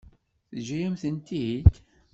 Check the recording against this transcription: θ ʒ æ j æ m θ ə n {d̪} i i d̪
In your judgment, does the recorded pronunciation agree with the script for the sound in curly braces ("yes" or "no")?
no